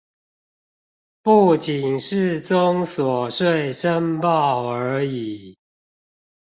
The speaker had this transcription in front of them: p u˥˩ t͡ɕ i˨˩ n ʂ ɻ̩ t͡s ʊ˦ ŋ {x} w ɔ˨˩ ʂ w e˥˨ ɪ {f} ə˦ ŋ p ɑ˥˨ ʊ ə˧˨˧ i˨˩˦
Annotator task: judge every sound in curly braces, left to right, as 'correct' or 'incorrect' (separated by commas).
incorrect, incorrect